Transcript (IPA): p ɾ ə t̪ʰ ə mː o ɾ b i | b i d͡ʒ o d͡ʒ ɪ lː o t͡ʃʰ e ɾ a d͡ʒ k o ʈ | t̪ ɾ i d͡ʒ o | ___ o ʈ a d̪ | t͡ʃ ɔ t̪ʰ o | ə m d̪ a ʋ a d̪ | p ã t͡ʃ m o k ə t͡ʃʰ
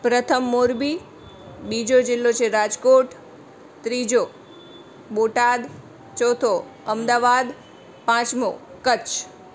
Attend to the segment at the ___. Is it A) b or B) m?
A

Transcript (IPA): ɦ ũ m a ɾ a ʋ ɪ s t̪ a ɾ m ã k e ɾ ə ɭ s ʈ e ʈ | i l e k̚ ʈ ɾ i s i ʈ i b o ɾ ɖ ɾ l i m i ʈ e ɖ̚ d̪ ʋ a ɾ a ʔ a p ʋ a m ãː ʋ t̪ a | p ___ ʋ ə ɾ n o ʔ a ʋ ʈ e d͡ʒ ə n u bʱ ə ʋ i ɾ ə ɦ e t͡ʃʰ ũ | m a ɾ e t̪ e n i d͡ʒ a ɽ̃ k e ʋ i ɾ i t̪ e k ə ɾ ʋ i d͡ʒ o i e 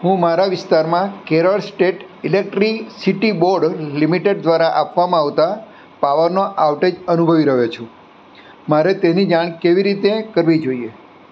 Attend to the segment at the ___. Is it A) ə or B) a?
B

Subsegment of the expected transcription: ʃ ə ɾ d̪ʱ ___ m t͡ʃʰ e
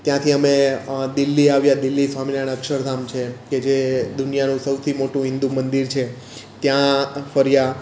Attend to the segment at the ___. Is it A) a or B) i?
A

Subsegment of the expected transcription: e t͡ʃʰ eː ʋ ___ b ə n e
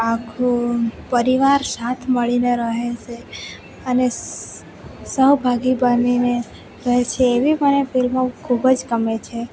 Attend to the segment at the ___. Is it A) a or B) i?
B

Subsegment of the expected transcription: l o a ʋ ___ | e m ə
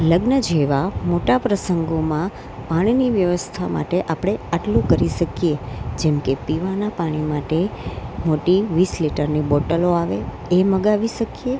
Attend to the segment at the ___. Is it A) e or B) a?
A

